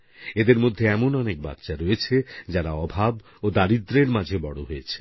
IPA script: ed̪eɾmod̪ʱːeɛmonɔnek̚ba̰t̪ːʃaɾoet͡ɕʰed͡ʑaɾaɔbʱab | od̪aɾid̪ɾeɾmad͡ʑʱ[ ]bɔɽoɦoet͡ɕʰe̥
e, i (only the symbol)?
e